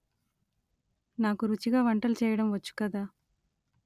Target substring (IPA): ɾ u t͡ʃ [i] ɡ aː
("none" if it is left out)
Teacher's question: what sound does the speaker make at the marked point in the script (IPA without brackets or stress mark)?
i